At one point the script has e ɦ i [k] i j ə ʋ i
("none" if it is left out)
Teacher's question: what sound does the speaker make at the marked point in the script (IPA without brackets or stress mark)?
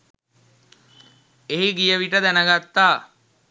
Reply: ɡ